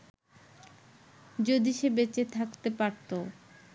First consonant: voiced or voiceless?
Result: voiced